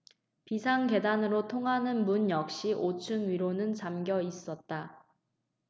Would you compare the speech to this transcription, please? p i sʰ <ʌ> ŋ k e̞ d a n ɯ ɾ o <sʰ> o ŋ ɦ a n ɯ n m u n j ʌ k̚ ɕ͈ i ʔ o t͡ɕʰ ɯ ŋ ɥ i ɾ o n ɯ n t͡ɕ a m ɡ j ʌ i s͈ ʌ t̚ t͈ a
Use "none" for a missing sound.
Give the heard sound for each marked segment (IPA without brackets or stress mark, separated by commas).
a, tʰ